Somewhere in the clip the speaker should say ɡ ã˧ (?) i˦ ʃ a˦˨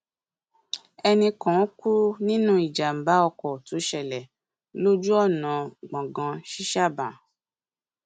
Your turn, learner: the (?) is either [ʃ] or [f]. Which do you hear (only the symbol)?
ʃ